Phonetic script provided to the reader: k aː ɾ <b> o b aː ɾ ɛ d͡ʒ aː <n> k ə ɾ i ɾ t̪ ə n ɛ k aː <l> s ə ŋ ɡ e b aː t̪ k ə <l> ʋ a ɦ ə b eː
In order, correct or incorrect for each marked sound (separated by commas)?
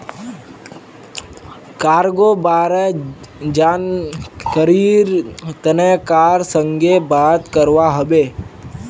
incorrect, correct, incorrect, incorrect